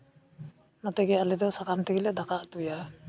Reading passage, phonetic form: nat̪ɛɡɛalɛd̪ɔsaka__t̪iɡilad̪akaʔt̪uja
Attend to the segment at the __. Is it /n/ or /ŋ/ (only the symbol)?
n